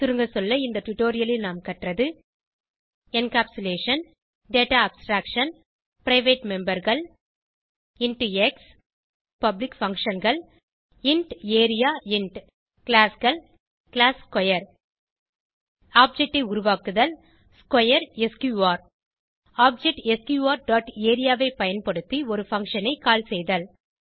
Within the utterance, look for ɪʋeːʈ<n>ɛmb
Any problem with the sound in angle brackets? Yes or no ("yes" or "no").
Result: yes